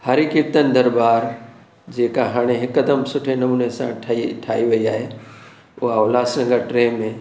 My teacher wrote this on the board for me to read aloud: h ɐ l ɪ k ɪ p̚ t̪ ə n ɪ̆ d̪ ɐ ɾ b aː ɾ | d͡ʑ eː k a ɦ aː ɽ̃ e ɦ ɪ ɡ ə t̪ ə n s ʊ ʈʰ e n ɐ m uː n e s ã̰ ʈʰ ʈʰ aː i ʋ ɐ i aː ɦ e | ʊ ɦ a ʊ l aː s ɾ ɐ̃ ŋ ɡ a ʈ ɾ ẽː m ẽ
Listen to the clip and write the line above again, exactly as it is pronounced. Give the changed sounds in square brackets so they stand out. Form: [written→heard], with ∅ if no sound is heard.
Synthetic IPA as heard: h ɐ [l→ɾ] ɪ k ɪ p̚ t̪ ə n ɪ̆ d̪ ɐ ɾ b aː ɾ | d͡ʑ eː k a ɦ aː ɽ̃ e ɦ ɪ [ɡ→k] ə [t̪→d̪] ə [n→m] s ʊ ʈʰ e n ɐ m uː n e s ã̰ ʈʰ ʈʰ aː i ʋ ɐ i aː ɦ e | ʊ ɦ a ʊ l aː s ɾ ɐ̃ ŋ ɡ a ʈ ɾ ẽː m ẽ